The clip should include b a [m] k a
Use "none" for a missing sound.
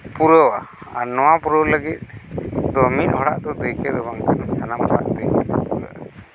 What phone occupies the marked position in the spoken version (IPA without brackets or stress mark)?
ŋ